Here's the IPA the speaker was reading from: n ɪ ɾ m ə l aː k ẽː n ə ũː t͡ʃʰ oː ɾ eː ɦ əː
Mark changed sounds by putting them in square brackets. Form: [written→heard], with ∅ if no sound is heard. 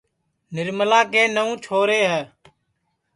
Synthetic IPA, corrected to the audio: n ɪ ɾ m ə l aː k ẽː n ə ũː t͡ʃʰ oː ɾ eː ɦ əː